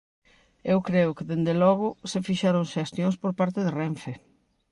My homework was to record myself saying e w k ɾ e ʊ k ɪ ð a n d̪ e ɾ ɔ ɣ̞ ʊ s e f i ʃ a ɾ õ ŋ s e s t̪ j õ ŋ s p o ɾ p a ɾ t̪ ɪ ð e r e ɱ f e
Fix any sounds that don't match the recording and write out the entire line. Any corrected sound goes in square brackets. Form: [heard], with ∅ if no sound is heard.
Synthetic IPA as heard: e w k ɾ e ʊ k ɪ ð [e] n d̪ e [l] ɔ ɣ̞ ʊ s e f i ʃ a ɾ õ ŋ [ʃ] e s t̪ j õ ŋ s p o ɾ p a ɾ t̪ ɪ ð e r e ɱ f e